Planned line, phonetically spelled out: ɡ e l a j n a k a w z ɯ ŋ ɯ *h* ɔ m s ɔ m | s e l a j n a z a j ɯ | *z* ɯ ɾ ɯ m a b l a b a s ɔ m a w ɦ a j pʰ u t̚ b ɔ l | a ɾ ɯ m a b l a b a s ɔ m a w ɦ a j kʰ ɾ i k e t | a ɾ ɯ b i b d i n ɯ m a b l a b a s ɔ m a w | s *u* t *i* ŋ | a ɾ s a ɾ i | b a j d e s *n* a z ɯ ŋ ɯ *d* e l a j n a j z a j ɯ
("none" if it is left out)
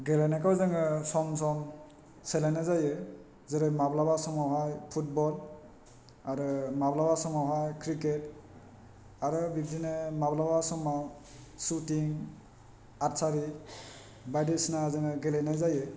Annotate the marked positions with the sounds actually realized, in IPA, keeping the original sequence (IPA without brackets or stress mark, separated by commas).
s, z, u, i, n, ɡ